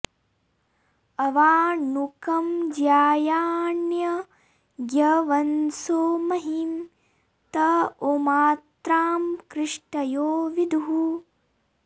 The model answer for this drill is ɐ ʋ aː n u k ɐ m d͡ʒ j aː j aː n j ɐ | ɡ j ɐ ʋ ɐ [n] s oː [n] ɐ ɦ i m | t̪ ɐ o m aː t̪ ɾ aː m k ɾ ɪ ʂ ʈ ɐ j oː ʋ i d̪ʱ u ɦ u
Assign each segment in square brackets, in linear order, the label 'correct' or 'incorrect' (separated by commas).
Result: correct, incorrect